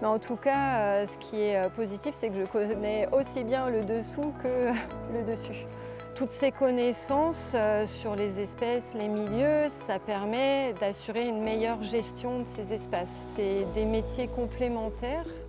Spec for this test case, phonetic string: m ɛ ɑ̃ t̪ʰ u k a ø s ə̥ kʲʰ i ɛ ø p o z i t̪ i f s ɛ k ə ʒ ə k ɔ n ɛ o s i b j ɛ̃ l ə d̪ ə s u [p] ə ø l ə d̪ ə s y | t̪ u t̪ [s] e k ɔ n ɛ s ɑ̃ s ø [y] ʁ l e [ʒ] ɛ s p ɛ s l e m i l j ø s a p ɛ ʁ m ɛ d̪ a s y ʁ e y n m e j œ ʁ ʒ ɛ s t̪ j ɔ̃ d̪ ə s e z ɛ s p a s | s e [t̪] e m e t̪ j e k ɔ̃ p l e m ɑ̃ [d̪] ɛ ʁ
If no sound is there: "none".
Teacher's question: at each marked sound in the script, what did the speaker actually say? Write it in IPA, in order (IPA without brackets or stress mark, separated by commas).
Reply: k, s, y, z, d̪, t̪